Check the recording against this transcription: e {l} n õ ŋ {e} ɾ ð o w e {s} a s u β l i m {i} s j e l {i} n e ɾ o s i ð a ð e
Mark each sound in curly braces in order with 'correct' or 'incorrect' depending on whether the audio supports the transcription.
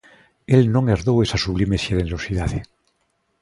correct, correct, correct, incorrect: e, incorrect: e

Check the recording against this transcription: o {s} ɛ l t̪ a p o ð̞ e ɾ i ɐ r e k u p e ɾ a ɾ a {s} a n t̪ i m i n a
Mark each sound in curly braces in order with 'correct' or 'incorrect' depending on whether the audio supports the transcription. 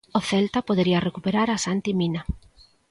incorrect: θ, correct

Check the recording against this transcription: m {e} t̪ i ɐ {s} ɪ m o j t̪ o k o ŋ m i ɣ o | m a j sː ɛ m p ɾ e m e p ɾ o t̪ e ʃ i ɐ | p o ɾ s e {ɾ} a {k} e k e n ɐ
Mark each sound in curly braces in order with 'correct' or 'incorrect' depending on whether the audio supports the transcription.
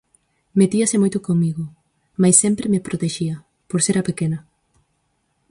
correct, correct, correct, incorrect: p

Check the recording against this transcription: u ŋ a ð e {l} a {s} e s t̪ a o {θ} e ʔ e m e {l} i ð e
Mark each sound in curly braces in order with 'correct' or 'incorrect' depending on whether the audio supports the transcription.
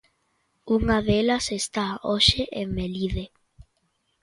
correct, correct, incorrect: ʃ, correct

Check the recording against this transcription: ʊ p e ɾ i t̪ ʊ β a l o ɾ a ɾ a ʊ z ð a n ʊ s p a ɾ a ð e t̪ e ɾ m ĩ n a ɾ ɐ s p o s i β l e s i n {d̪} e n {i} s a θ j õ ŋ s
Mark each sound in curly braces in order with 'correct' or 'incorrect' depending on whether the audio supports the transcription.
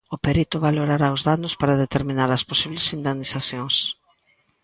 correct, correct

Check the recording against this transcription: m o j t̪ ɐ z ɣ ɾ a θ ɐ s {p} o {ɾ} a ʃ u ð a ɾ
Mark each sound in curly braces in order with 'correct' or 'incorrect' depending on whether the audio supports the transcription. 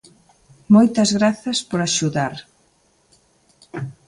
correct, correct

